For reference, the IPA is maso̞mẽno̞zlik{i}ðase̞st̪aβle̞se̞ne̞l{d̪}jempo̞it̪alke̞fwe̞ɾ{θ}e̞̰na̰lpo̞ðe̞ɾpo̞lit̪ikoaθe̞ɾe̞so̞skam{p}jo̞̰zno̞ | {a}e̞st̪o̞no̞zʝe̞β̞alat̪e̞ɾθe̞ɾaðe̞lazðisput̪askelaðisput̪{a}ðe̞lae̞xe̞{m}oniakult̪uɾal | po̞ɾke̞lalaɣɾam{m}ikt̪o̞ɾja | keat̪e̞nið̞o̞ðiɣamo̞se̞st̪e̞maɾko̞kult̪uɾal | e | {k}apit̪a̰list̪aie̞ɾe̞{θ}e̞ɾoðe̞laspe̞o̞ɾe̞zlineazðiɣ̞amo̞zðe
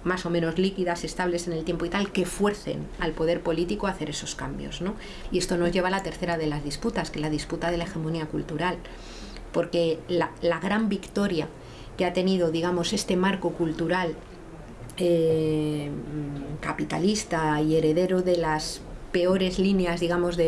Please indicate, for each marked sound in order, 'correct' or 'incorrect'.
correct, incorrect: t̪, correct, incorrect: b, incorrect: i, correct, correct, incorrect: b, correct, incorrect: ð

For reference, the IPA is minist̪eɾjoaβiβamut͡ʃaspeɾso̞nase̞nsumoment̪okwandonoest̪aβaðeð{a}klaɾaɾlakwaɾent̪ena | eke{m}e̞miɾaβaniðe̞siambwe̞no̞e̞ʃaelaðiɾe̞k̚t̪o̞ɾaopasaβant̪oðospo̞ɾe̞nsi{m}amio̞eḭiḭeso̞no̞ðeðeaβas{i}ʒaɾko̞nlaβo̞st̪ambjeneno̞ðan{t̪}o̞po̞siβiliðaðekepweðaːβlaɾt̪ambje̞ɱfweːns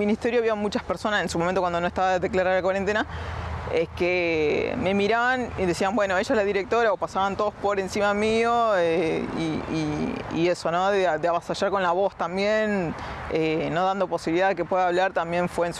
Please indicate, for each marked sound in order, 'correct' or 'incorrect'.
incorrect: e, correct, correct, incorrect: a, incorrect: d̪

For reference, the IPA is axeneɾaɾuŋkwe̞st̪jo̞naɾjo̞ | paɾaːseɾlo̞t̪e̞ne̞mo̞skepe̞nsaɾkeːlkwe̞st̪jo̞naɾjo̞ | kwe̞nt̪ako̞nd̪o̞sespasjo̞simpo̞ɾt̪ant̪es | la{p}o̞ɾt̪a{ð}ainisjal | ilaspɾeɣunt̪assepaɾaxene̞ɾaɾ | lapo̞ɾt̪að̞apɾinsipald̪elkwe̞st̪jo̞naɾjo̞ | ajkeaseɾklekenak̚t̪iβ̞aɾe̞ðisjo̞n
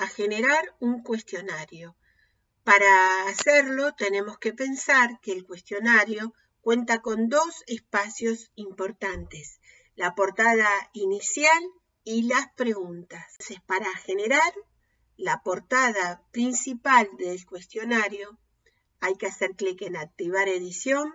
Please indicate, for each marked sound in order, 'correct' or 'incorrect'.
correct, correct

